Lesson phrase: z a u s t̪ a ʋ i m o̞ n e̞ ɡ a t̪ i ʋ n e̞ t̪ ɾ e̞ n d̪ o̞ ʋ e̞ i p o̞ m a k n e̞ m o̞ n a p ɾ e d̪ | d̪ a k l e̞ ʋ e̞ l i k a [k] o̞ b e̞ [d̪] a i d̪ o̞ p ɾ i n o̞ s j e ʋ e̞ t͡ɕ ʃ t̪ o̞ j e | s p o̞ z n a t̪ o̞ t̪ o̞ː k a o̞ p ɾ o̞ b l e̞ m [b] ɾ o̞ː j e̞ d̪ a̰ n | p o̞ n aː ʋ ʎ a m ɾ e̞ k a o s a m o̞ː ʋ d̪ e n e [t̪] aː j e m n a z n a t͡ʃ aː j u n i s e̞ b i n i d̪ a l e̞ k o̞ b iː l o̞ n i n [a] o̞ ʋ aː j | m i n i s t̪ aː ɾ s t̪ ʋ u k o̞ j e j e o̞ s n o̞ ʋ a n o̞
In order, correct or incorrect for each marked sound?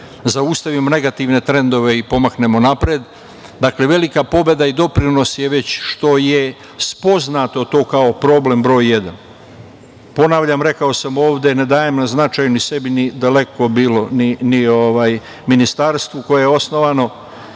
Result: incorrect: p, correct, correct, incorrect: d̪, incorrect: i

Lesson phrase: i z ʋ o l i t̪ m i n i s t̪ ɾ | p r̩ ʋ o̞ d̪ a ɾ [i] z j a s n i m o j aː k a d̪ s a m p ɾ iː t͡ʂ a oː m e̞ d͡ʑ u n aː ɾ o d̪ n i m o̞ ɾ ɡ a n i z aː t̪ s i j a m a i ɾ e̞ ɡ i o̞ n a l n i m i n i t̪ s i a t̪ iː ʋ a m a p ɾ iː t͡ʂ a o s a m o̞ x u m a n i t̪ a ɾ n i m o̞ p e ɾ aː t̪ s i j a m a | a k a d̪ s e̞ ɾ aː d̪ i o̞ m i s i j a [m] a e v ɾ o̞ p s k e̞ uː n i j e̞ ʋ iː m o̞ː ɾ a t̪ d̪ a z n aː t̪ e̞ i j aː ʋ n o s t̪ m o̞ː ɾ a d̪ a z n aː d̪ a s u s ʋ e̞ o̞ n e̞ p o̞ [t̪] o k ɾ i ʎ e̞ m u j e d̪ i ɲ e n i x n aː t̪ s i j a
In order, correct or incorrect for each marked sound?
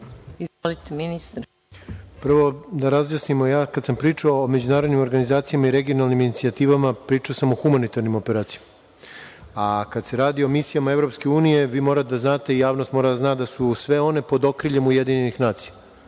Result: incorrect: a, correct, incorrect: d̪

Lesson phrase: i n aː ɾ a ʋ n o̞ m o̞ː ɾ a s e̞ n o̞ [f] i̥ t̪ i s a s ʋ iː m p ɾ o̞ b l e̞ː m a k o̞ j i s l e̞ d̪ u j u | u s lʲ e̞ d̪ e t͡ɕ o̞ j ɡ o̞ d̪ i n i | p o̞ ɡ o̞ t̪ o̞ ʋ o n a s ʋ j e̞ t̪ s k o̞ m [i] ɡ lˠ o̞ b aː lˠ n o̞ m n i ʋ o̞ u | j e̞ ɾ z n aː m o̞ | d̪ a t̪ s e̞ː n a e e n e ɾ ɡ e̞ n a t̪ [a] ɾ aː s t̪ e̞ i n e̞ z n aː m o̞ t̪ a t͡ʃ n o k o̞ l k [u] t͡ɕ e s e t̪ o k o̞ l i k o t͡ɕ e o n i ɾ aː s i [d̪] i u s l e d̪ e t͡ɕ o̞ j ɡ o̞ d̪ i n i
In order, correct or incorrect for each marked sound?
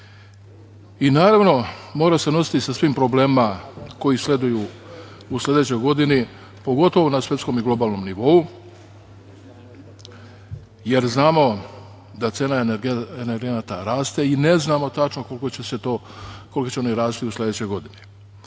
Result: incorrect: s, correct, correct, incorrect: o, incorrect: t̪

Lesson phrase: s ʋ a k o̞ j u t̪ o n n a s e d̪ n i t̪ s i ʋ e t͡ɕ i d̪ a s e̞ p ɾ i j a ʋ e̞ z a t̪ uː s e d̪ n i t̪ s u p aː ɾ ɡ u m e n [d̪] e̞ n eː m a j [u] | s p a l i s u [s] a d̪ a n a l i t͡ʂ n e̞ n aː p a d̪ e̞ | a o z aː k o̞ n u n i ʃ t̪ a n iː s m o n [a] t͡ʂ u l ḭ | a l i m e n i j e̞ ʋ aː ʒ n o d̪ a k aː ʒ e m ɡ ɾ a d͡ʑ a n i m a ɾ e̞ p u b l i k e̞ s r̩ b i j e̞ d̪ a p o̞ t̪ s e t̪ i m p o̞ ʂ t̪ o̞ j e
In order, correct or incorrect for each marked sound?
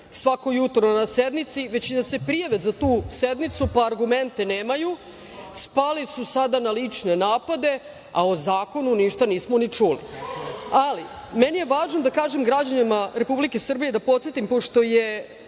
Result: incorrect: t̪, correct, correct, incorrect: i

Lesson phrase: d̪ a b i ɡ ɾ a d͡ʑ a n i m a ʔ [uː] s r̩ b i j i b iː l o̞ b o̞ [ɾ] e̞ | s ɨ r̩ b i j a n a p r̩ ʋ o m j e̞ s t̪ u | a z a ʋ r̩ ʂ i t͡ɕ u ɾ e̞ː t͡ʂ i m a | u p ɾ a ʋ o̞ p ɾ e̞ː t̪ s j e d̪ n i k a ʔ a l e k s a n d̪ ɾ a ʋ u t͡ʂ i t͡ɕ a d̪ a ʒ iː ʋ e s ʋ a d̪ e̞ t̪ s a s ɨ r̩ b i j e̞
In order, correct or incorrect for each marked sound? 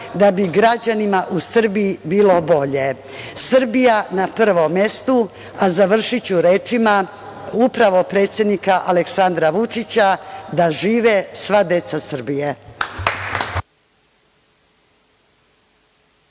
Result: incorrect: u, incorrect: ʎ

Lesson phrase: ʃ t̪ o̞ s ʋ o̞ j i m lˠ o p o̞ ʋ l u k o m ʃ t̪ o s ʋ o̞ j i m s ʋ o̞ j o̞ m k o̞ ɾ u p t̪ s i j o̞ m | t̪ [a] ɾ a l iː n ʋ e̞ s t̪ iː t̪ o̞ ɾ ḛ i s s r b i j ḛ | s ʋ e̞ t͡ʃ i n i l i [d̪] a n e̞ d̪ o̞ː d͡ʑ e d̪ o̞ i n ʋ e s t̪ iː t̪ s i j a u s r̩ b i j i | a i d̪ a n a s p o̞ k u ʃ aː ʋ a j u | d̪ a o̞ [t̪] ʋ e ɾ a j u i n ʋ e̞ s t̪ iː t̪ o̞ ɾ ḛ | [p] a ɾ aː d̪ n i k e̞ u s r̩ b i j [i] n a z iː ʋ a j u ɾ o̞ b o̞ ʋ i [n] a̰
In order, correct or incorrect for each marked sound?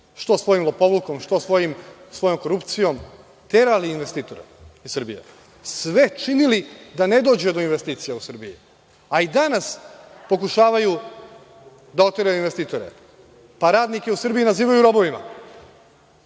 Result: incorrect: e, correct, correct, correct, correct, incorrect: m

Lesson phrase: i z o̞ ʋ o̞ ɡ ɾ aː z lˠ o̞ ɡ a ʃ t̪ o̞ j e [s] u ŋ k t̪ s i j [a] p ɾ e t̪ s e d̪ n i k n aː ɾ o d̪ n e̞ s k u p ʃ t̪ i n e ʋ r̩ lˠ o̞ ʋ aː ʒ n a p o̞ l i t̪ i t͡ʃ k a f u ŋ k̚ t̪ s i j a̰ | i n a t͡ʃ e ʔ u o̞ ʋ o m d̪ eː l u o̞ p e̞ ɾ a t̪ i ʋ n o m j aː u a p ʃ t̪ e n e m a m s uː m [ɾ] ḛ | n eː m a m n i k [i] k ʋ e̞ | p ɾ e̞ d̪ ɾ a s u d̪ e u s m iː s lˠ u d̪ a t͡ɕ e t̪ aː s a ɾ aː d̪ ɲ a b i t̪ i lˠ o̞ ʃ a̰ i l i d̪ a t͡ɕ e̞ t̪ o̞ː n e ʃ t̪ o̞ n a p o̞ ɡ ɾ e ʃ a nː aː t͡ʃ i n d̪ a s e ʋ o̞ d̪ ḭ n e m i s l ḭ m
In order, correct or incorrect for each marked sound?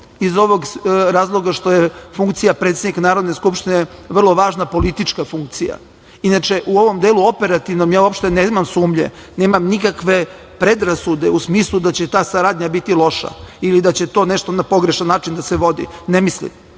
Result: incorrect: f, correct, incorrect: ʎ, incorrect: a

